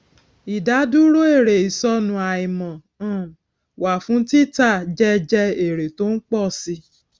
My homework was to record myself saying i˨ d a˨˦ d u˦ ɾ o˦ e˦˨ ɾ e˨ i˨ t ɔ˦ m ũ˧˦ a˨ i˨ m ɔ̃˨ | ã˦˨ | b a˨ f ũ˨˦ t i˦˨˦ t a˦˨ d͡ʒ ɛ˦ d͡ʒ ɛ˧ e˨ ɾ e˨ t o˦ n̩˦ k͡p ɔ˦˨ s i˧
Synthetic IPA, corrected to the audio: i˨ d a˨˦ d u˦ ɾ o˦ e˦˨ ɾ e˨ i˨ s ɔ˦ n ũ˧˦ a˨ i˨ m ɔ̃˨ | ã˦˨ | w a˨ f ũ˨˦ t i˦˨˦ t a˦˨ d͡ʒ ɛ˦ d͡ʒ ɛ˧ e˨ ɾ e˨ t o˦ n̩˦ k͡p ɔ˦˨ s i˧